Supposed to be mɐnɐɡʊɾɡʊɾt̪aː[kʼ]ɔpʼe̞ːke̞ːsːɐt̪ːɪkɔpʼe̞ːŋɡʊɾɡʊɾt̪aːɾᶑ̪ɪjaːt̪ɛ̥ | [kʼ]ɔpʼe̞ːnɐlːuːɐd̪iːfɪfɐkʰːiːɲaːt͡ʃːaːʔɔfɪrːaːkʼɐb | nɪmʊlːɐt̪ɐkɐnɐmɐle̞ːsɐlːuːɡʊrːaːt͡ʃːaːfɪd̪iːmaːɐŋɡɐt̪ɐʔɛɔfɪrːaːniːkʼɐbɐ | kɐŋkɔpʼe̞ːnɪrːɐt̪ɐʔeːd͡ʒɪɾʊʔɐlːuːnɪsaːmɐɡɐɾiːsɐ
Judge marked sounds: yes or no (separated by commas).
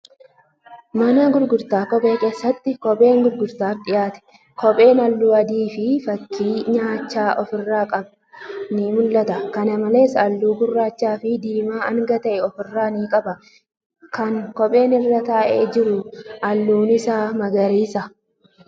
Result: no, no